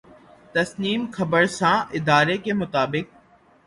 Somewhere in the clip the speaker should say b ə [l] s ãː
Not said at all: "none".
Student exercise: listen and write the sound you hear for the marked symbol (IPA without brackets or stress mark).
ɾ